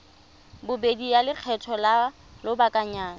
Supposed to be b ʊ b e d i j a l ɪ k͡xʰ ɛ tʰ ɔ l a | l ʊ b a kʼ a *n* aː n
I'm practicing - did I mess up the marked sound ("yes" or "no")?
yes